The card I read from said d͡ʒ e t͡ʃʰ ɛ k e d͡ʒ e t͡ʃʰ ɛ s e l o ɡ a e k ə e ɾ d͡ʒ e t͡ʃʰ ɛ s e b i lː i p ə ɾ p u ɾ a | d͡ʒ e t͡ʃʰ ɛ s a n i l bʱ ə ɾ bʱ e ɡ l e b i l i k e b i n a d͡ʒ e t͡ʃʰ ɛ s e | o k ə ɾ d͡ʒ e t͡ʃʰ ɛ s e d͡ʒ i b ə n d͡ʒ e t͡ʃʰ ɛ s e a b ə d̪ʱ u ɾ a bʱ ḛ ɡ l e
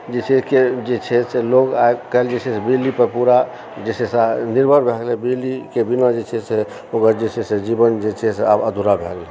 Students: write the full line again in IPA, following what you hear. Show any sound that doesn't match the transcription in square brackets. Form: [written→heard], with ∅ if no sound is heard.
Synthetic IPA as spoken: d͡ʒ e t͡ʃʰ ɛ k e d͡ʒ e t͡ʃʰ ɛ s e l o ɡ a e k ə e [ɾ→l] d͡ʒ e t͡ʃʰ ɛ s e b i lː i p ə ɾ p u ɾ a | d͡ʒ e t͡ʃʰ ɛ s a n i [l→ɾ] bʱ ə ɾ bʱ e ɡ l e b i l i k e b i n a d͡ʒ e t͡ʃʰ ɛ s e | o k ə ɾ d͡ʒ e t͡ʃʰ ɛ s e d͡ʒ i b ə n d͡ʒ e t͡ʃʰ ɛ s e a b ə d̪ʱ u ɾ a bʱ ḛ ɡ l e